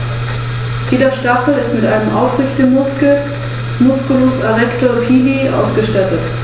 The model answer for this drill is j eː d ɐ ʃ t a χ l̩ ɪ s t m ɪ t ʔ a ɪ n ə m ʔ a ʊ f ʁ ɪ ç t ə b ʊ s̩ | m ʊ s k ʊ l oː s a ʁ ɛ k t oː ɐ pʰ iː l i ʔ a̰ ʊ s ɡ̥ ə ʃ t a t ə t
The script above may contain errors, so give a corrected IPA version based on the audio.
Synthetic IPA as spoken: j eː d ɐ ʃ t a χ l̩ ɪ s t m ɪ t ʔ a ɪ n ə m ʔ a ʊ f ʁ ɪ ç t ə m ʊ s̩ | m ʊ s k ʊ l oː s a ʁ ɛ k t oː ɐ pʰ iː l i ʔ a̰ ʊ s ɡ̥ ə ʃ t a t ə t